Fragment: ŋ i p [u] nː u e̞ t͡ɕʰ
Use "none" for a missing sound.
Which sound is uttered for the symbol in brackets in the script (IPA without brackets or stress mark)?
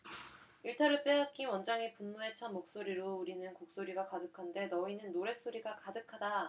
u